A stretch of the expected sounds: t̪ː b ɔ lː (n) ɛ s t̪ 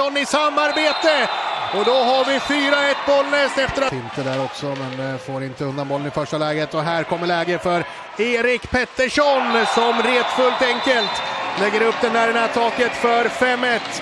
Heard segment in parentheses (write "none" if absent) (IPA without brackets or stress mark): n